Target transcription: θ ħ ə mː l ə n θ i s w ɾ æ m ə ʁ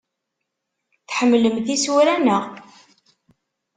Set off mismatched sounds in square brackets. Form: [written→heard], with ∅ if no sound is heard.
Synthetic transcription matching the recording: θ ħ ə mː l ə [n→m] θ i s w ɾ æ [m→n] ə ʁ